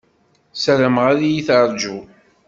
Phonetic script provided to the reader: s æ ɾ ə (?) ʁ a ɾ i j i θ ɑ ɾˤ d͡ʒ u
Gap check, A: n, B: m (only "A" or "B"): B